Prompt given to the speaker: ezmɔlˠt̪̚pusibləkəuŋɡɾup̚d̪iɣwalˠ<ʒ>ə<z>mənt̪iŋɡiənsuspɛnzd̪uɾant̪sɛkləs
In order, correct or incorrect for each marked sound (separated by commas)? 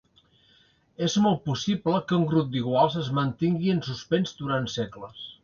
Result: incorrect, correct